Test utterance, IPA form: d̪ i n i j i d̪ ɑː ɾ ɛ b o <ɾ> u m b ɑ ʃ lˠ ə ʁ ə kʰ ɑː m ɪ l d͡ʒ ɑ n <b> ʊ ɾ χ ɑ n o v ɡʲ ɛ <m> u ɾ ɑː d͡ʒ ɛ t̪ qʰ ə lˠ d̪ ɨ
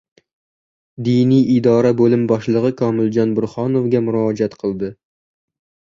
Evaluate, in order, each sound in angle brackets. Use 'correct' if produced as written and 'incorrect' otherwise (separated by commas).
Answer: incorrect, correct, correct